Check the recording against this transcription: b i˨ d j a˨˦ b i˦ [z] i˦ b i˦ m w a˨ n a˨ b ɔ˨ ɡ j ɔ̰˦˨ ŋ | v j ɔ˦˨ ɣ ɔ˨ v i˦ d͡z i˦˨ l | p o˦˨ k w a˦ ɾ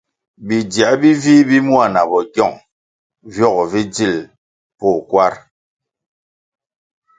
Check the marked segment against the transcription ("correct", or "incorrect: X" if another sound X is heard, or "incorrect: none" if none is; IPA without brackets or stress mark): incorrect: v